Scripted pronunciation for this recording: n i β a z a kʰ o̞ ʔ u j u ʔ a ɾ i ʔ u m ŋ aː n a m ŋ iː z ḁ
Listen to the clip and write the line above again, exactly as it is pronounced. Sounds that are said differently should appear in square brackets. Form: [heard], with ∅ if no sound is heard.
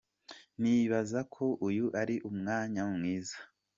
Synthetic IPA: n i β a z a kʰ o̞ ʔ u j u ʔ a ɾ i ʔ u m ŋ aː [ɲ] a m ŋ iː z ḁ